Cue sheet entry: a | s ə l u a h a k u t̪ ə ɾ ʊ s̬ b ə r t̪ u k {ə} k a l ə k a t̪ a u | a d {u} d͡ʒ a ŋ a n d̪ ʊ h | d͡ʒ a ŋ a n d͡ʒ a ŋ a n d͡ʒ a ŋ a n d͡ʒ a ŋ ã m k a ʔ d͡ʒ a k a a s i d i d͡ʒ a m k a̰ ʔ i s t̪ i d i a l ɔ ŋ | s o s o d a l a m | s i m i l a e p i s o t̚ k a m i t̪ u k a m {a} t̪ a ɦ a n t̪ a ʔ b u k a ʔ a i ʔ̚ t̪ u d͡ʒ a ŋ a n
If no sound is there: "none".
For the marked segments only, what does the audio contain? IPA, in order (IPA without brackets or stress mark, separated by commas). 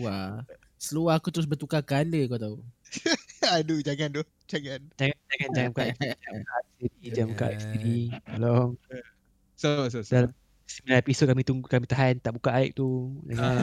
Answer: a, u, i